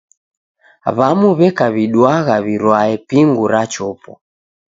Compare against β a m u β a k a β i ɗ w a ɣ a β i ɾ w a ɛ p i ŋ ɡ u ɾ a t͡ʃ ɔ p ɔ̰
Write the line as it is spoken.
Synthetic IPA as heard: β a m u β ɛ k a β i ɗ w a ɣ a β i ɾ w a ɛ p i ŋ ɡ u ɾ a t͡ʃ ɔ p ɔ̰